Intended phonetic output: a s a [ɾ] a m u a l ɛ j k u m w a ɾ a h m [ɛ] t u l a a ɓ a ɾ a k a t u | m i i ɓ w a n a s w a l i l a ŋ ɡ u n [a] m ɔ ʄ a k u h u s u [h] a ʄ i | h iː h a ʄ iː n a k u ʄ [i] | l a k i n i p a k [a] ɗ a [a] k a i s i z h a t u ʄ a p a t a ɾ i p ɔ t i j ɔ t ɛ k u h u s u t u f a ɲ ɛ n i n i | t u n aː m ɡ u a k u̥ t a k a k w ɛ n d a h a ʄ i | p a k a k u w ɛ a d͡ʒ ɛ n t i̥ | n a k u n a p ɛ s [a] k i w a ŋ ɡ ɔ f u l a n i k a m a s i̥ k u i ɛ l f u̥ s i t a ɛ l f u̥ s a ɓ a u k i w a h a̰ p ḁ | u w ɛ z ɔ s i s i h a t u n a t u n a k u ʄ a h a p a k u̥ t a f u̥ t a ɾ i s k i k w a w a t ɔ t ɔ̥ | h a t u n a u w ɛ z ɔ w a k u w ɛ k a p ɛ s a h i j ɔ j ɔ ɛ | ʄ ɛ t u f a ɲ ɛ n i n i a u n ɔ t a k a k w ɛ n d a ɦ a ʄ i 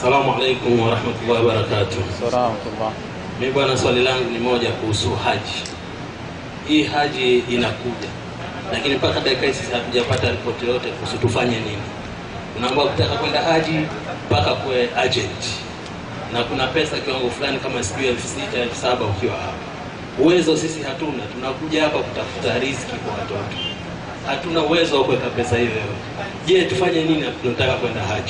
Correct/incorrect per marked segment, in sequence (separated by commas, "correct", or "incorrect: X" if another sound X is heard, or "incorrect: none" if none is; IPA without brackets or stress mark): incorrect: l, incorrect: a, incorrect: i, correct, incorrect: a, correct, incorrect: i, correct